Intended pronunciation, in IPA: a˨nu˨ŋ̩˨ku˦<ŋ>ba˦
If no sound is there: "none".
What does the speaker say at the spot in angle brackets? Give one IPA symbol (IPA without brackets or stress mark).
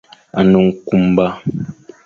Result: m